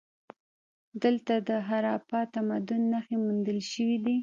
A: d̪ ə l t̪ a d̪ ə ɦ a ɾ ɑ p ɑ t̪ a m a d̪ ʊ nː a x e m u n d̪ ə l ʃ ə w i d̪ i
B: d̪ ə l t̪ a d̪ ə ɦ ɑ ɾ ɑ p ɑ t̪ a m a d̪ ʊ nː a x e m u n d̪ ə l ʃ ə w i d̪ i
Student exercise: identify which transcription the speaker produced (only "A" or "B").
A